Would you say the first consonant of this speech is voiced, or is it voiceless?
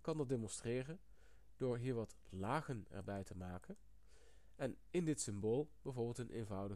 voiceless